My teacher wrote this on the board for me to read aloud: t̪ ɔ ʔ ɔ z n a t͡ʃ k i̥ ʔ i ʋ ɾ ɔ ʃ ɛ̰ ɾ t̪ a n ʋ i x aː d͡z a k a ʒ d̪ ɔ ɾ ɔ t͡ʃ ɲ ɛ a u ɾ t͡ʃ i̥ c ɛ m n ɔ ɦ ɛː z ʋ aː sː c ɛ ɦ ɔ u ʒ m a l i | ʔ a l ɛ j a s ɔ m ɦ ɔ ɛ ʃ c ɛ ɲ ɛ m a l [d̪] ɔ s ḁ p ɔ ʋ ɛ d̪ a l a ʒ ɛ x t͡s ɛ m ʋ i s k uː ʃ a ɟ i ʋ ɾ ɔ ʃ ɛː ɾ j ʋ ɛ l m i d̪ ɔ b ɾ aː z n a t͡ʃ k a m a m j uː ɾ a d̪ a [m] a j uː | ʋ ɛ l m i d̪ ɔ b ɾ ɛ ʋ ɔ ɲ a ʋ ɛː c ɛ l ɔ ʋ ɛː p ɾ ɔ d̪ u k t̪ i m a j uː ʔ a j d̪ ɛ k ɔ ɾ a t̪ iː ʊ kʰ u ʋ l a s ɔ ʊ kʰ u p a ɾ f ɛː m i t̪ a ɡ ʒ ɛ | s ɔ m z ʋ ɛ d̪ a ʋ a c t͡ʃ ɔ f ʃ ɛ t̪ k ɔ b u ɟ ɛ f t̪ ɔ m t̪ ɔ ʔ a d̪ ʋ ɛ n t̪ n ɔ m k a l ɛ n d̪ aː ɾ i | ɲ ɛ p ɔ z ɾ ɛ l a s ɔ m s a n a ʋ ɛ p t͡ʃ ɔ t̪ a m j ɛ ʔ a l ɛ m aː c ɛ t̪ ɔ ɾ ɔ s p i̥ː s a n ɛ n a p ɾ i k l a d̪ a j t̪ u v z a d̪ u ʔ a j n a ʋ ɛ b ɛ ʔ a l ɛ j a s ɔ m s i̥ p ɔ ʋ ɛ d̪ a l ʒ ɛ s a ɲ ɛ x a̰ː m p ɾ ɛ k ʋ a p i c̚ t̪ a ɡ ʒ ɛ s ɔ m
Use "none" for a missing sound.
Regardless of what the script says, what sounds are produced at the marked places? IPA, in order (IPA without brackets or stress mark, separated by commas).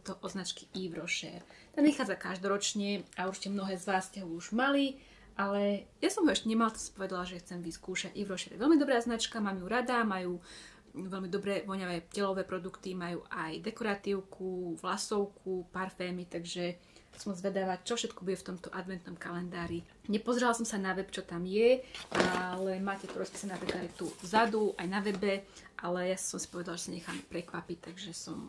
t̪, m